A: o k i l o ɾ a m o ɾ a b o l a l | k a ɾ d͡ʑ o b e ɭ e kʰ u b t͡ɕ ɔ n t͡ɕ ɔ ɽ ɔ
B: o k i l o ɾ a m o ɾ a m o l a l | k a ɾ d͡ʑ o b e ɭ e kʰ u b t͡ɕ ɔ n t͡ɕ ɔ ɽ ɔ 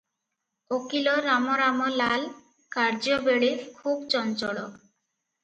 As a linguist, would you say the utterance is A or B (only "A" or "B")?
B